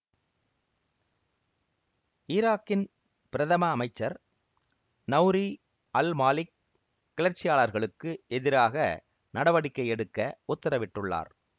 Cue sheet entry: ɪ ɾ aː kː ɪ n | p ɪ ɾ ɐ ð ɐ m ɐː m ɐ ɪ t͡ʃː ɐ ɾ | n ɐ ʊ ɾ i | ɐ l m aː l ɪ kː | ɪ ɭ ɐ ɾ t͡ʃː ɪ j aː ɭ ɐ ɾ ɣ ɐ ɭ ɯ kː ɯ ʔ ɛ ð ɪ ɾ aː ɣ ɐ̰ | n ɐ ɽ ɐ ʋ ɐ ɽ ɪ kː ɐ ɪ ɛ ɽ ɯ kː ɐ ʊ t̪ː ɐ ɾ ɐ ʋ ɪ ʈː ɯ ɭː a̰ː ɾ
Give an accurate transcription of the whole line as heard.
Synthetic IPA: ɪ ɾ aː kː ɪ n | p ɪ ɾ ɐ ð ɐ m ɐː m ɐ ɪ t͡ʃː ɐ ɾ | n ɐ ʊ ɾ i | ɐ l m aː l ɪ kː | ɪ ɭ ɐ ɾ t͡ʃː ɪ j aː ɭ ɐ ɾ ɣ ɐ ɭ ɯ kː ɯ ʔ ɛ ð ɪ ɾ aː ɣ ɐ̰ | n ɐ ɽ ɐ ʋ ɐ ɽ ɪ kː ɐ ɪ ɛ ɽ ɯ kː ɐ ʊ t̪ː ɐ ɾ ɐ ʋ ɪ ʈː ɯ ɭː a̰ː ɾ